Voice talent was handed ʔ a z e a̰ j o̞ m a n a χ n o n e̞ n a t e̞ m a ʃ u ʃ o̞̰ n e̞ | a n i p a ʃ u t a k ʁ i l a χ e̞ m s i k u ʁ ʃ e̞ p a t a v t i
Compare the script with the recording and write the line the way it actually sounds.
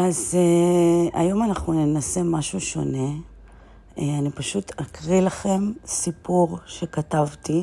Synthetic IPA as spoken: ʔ a z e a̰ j o̞ m a n a χ n u n e̞ n a s e̞ m a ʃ u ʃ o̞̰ n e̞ | a n i p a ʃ u t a k ʁ i l a χ e̞ m s i p u ʁ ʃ e̞ k a t a v t i